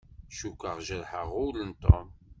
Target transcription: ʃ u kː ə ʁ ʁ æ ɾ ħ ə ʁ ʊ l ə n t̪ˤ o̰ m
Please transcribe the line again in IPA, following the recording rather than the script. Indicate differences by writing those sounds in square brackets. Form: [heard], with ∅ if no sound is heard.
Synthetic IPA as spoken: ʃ u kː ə ʁ [ʒ] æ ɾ ħ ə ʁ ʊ l ə n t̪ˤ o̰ m